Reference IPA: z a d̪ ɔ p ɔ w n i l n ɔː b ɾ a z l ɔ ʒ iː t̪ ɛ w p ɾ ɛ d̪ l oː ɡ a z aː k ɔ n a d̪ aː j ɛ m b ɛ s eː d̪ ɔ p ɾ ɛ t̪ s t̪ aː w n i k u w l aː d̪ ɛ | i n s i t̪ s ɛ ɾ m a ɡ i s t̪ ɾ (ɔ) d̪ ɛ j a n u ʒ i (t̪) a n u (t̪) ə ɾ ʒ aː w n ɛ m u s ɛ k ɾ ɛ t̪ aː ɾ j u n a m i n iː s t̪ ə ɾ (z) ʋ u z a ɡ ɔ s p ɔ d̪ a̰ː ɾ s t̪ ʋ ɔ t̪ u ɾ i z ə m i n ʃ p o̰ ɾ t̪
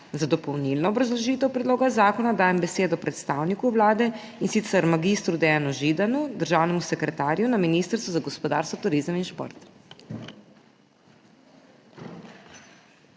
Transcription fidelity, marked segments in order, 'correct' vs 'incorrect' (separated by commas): incorrect, incorrect, incorrect, incorrect